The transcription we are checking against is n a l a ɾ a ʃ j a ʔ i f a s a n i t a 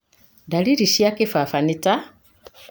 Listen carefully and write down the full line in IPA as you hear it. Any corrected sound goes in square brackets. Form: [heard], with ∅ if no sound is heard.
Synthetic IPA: [d] a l [i] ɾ [i] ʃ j a [k] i f a [f] a n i t a